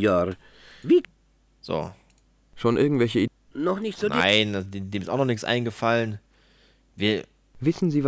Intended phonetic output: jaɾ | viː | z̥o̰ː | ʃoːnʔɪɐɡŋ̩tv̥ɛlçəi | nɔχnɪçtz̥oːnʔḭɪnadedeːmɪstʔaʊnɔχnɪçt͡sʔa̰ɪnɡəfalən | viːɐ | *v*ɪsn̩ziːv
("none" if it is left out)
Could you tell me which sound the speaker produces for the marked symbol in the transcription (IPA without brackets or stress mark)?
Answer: v